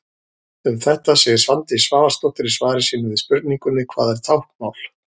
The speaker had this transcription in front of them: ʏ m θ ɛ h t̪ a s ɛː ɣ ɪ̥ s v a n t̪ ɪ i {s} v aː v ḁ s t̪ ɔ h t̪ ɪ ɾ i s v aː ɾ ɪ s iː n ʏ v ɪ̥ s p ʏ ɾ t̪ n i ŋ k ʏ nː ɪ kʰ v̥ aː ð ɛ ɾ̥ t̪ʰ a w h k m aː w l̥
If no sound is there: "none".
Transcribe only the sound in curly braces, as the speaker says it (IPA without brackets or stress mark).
s